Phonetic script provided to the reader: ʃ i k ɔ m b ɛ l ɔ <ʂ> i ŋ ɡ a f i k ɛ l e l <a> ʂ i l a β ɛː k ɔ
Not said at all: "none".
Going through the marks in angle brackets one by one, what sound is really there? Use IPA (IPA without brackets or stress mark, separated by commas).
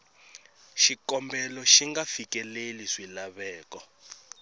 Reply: ʃ, i